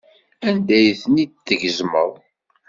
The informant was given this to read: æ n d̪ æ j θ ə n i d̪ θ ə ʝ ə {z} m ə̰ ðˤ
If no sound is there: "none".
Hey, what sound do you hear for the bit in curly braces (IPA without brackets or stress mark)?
z